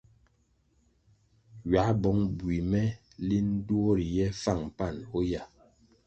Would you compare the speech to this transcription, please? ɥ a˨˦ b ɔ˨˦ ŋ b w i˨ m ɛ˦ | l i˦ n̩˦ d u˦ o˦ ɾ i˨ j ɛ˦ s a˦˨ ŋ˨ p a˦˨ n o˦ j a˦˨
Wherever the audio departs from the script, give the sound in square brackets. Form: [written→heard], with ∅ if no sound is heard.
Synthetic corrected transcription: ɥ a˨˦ b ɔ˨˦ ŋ b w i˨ m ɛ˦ | l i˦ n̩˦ d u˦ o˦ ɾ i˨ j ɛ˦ [s→f] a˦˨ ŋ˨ p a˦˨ n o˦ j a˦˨

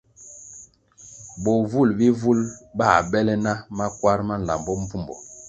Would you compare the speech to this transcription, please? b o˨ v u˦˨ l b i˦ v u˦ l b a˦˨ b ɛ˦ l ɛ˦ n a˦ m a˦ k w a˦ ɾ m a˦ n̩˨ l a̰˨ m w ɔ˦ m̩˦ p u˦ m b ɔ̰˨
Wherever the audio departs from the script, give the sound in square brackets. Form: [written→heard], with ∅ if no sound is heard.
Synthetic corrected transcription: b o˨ v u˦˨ l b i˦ v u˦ l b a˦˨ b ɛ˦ l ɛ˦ n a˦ m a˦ k w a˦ ɾ m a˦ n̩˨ l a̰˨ m [w→b] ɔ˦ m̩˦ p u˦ m b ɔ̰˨

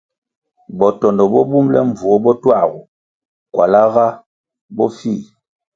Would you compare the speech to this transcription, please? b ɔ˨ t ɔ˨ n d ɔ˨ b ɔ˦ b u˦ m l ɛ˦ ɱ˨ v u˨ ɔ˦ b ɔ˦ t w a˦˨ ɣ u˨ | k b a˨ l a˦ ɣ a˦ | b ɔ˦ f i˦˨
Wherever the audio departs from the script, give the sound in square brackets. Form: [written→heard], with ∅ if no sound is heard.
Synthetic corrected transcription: b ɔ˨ t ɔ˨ n d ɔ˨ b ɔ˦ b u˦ m l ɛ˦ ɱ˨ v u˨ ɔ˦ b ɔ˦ t w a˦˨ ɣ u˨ | k [b→w] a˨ l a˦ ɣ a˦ | b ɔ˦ f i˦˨

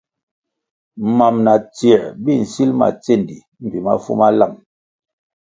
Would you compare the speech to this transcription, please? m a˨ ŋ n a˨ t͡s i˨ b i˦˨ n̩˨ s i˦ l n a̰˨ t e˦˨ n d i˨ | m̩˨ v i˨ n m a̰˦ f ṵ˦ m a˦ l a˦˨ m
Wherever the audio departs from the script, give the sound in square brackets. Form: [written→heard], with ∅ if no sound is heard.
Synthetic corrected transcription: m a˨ [ŋ→m] n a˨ t͡s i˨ b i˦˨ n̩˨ s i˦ l [n→m] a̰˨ [t→t͡s] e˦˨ n d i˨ | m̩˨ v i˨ [n→∅] m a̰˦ f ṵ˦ m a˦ l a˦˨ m

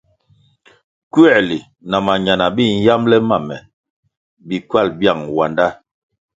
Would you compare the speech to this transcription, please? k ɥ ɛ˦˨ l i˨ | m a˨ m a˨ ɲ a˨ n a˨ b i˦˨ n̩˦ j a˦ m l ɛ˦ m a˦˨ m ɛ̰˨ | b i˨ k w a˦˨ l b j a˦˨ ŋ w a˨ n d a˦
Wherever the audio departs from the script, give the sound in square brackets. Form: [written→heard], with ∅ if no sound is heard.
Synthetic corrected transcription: k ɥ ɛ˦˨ l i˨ | [m→n] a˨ m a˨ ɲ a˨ n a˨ b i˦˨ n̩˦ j a˦ m l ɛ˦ m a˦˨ m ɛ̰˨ | b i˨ k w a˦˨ l b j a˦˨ ŋ w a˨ n d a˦

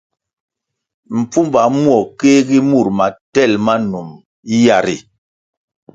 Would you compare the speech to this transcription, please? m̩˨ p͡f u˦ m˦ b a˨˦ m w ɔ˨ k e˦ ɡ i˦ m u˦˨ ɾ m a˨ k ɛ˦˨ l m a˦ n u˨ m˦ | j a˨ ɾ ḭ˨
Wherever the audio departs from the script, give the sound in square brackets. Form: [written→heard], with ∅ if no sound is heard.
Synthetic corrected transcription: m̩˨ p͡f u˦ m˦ b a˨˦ m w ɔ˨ k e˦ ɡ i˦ m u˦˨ ɾ m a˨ [k→t] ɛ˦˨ l m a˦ n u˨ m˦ | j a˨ ɾ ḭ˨

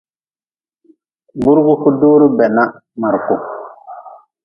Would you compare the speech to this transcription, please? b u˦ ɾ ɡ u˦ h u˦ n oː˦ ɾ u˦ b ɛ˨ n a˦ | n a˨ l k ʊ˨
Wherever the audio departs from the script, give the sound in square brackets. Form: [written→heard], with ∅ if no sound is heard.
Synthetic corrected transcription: b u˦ ɾ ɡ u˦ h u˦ [n→d] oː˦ ɾ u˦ b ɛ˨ n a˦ | [n→m] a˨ [l→ɾ] k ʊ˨

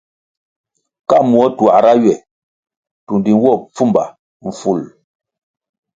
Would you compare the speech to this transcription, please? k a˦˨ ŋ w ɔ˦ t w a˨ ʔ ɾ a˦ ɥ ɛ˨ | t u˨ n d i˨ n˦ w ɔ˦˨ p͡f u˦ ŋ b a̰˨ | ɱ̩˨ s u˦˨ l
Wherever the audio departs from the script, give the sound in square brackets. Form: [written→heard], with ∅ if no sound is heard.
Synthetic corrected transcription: k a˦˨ [ŋ→m] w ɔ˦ t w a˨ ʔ ɾ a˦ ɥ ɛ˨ | t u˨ n d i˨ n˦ w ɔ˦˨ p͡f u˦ [ŋ→m] b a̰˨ | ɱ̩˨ [s→f] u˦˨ l

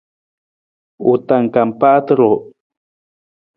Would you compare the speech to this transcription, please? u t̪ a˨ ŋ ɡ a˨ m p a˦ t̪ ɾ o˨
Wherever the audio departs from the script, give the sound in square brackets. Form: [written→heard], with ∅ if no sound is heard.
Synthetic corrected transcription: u t̪ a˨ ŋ [ɡ→k] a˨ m p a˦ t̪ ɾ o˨

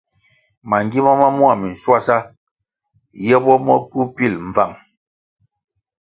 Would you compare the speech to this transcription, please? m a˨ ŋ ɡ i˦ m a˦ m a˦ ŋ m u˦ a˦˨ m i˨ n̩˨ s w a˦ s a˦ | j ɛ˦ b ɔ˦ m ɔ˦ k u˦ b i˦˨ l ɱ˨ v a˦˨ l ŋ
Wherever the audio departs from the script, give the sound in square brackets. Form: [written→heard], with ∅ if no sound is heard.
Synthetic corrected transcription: m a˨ ŋ ɡ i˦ m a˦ m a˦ [ŋ→∅] m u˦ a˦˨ m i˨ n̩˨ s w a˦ s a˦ | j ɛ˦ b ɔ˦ m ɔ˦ k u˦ [b→p] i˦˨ l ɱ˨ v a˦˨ [l→∅] ŋ

